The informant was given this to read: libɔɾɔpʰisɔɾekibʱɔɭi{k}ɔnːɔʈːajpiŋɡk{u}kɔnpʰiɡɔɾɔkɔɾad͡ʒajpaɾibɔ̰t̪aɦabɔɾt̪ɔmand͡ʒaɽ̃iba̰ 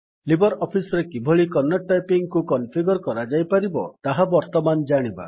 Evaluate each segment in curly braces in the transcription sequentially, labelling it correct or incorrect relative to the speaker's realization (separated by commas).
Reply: correct, correct